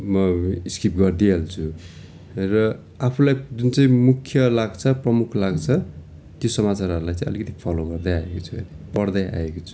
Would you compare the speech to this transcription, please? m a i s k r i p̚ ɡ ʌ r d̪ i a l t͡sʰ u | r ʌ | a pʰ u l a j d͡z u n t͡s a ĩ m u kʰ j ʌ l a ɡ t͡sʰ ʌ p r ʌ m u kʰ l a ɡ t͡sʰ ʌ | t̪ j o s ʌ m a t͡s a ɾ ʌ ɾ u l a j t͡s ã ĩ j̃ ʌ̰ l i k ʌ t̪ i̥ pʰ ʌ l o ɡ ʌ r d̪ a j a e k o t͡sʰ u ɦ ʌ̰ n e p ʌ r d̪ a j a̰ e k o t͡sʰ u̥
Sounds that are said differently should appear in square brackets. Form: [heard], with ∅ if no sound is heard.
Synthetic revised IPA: m [ʌ] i s k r i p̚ ɡ ʌ r d̪ i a l t͡sʰ u | r ʌ | a pʰ u l a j d͡z u n t͡s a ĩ m u kʰ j ʌ l a ɡ t͡sʰ ʌ p r ʌ m u kʰ l a ɡ t͡sʰ ʌ | t̪ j o s ʌ m a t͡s a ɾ ʌ ɾ u l a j t͡s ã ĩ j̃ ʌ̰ l i k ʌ t̪ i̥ pʰ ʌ l o ɡ ʌ r d̪ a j a e k o t͡sʰ u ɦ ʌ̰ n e p ʌ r d̪ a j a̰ e k o t͡sʰ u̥

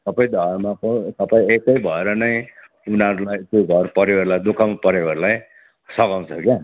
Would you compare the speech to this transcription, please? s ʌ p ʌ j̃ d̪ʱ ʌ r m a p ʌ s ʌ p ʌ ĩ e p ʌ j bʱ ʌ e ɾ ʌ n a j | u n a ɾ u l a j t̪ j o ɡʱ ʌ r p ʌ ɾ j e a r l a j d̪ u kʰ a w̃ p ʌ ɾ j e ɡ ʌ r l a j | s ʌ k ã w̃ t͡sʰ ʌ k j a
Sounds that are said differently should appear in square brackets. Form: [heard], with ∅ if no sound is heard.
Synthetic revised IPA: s ʌ p ʌ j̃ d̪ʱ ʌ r m a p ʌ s ʌ p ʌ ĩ e [k] ʌ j bʱ ʌ e ɾ ʌ n [ʌ] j | u n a ɾ u l a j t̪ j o ɡʱ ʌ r p ʌ ɾ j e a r l a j d̪ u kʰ a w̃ p ʌ ɾ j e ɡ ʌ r l a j | s ʌ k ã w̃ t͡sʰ ʌ k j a

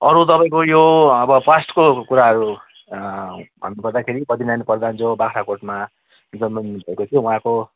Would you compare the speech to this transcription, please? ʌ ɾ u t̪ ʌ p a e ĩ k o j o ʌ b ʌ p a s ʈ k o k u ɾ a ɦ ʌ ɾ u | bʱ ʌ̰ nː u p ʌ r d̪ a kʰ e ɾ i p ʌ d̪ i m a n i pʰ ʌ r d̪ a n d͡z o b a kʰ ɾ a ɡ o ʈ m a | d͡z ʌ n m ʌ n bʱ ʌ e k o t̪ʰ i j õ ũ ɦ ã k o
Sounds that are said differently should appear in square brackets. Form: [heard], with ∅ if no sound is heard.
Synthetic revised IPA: ʌ ɾ u t̪ ʌ p a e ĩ k o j o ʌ b ʌ p a s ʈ k o k u ɾ a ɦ ʌ ɾ u | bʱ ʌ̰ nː u p ʌ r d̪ a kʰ e ɾ i p ʌ d̪ i [n] a n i [p] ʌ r d̪ a n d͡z o b a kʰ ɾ a [k] o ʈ m a | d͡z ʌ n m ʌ n bʱ ʌ e k o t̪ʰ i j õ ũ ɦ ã k o

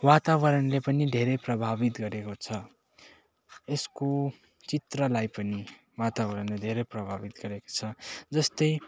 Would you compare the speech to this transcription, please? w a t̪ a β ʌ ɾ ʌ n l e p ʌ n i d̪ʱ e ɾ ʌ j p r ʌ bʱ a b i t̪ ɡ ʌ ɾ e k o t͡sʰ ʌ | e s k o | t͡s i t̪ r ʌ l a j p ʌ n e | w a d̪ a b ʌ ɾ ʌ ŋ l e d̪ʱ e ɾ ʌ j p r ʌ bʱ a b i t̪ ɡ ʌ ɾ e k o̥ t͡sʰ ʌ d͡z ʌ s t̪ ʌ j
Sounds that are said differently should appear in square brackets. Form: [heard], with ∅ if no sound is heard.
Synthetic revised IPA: w a t̪ a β ʌ ɾ ʌ n l e p ʌ n i d̪ʱ e ɾ ʌ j p r ʌ bʱ a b i t̪ ɡ ʌ ɾ e k o t͡sʰ ʌ | e s k o | t͡s i t̪ r ʌ l a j p ʌ n [i] | w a [t̪] a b ʌ ɾ ʌ [n] l e d̪ʱ e ɾ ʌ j p r ʌ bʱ a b i t̪ ɡ ʌ ɾ e k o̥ t͡sʰ ʌ d͡z ʌ s t̪ ʌ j

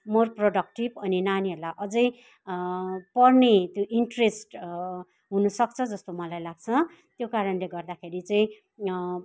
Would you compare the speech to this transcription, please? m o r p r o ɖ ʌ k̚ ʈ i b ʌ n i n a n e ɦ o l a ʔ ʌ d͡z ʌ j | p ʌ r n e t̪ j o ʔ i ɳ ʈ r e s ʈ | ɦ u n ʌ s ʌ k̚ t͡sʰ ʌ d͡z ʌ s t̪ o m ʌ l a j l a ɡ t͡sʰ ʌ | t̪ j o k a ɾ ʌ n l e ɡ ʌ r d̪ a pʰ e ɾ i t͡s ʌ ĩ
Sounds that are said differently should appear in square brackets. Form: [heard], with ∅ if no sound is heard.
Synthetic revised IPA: m o r p r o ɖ ʌ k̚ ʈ i b ʌ n i n a n [i] ɦ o l a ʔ ʌ d͡z ʌ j | p ʌ r n e t̪ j o ʔ i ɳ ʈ r e s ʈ | ɦ u n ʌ s ʌ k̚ t͡sʰ ʌ d͡z ʌ s t̪ o m ʌ l a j l a ɡ t͡sʰ ʌ | t̪ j o k a ɾ ʌ n l e ɡ ʌ r d̪ a [kʰ] e ɾ i t͡s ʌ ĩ

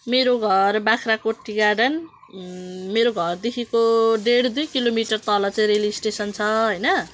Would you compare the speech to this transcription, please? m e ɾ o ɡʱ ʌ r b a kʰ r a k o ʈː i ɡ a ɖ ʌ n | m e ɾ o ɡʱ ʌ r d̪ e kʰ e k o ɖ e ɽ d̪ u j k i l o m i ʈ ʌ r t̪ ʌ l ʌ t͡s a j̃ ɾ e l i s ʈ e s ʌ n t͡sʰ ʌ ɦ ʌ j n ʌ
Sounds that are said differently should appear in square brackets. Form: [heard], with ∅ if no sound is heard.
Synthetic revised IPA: m e ɾ o ɡʱ ʌ r b a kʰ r a k o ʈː i ɡ a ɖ ʌ n | m e ɾ o ɡʱ ʌ r d̪ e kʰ [i] k o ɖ e ɽ d̪ u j k i l o m i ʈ ʌ r t̪ ʌ l ʌ t͡s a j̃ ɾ e l i s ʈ e s ʌ n t͡sʰ ʌ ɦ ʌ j n ʌ

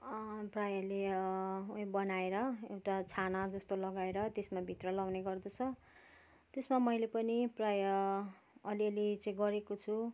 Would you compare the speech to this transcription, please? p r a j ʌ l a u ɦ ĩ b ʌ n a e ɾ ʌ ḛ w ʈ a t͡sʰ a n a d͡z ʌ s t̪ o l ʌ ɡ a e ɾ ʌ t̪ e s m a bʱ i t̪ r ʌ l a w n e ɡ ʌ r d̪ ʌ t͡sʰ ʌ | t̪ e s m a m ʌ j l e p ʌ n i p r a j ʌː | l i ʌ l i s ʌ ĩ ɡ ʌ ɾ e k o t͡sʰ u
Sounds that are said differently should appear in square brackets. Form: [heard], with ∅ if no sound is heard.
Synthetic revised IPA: p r a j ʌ l [e] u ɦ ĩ b ʌ n a e ɾ ʌ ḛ w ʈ a t͡sʰ a n a d͡z ʌ s t̪ o l ʌ ɡ a e ɾ ʌ t̪ e s m a bʱ i t̪ r ʌ l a w n e ɡ ʌ r d̪ ʌ t͡sʰ ʌ | t̪ e s m a m ʌ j l e p ʌ n i p r a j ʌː | l i ʌ l i [t͡s] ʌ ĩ ɡ ʌ ɾ e k o t͡sʰ u

